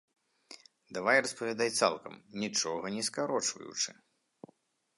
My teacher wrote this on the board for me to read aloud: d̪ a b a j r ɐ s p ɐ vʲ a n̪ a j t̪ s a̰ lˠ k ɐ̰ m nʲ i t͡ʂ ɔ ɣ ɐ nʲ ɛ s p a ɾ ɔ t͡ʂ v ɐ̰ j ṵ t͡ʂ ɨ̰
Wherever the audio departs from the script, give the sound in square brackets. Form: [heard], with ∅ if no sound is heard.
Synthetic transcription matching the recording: d̪ a [v] a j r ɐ s p ɐ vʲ a [d̪] a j t̪ s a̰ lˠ k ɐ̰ m nʲ i t͡ʂ ɔ ɣ ɐ nʲ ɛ s [k] a ɾ ɔ t͡ʂ v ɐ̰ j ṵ t͡ʂ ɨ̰